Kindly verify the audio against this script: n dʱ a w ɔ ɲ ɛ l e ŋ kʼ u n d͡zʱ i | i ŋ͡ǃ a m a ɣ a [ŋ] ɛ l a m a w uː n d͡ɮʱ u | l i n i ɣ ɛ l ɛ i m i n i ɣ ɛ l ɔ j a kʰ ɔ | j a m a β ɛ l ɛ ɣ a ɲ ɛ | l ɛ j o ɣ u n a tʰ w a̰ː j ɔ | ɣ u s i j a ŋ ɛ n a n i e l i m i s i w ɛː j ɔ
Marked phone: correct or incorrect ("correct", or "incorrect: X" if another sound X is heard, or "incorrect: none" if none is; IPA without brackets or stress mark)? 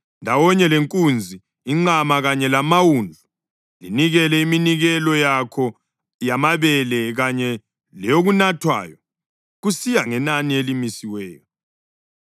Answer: incorrect: ɲ